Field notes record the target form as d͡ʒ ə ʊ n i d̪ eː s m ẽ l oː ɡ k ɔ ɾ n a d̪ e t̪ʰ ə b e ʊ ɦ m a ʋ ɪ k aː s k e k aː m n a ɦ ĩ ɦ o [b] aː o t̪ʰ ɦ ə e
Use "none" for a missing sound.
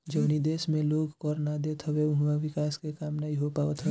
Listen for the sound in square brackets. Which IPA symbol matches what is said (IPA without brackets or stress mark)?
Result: p